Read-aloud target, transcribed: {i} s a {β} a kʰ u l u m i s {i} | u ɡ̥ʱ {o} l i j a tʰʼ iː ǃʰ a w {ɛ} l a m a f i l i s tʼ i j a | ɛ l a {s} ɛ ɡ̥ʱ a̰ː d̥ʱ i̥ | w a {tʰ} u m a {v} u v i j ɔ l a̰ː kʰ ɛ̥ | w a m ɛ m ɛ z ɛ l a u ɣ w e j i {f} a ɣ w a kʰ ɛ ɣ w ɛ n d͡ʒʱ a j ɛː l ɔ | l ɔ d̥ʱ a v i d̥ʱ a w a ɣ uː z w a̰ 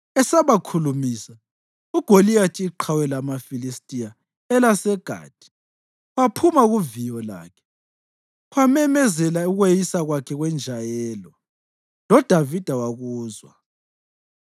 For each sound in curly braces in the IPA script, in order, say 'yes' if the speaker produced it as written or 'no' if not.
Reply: no, yes, no, yes, yes, yes, no, no, no

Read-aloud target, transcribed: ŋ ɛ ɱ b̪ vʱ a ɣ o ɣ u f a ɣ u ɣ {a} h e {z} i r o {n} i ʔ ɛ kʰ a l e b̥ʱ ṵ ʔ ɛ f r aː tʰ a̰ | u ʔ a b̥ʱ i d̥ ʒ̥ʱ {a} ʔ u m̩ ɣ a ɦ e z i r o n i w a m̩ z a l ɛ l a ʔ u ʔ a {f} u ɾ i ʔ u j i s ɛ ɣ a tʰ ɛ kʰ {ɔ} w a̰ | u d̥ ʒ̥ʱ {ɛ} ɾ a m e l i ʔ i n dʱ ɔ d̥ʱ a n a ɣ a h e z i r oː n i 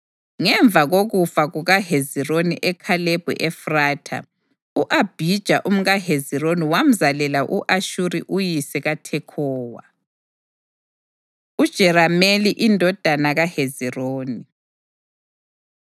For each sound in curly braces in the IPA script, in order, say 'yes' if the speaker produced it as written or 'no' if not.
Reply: yes, yes, yes, yes, no, no, yes

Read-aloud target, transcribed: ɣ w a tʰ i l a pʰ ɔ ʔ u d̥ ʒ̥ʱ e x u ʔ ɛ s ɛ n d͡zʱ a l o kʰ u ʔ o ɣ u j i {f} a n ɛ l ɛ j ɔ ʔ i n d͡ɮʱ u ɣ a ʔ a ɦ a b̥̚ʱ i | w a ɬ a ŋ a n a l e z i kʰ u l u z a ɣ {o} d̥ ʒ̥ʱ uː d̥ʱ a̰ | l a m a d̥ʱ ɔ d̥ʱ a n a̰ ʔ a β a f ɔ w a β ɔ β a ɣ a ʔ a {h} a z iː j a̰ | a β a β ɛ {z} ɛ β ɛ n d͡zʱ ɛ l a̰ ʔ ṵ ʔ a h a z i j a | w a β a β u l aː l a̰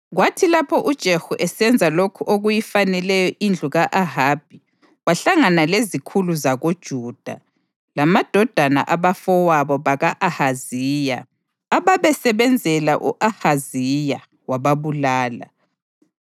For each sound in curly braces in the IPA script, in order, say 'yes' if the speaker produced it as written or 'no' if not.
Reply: yes, yes, yes, no

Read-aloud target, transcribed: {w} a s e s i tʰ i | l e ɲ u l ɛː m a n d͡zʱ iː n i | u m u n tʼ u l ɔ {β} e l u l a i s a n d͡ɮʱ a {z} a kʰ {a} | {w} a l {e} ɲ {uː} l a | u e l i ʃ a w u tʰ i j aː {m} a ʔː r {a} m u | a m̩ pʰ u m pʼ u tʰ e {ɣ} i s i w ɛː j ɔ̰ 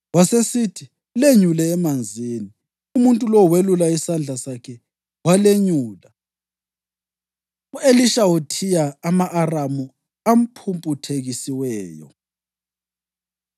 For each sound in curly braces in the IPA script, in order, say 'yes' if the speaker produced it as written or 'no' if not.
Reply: yes, no, no, no, yes, yes, yes, yes, yes, yes

